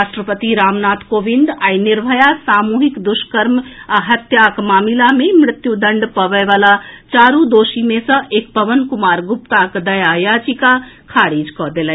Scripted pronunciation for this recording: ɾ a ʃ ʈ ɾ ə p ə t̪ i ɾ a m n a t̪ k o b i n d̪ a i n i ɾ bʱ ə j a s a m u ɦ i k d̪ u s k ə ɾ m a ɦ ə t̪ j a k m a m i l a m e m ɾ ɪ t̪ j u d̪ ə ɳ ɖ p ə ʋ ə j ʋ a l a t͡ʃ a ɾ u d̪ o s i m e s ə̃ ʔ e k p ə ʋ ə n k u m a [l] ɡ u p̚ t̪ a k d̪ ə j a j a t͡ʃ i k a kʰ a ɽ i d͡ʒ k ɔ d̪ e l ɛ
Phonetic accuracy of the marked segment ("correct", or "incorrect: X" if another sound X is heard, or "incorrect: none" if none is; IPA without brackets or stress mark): incorrect: ɾ